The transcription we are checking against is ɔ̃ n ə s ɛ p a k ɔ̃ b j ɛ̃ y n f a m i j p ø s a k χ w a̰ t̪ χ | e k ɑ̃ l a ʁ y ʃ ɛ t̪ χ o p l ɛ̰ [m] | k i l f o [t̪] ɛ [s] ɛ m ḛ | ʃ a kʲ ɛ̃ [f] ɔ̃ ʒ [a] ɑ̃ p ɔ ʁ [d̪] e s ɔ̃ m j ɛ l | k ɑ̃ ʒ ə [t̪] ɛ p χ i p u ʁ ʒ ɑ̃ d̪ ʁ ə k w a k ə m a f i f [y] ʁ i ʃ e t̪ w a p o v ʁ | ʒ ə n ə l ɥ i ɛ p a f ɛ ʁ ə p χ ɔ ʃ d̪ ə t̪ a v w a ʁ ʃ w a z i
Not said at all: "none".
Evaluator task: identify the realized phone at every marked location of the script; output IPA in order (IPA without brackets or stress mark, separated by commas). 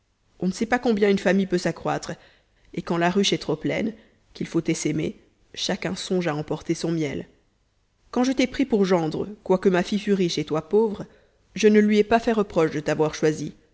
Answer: n, t̪, s, s, a, t̪, t̪, y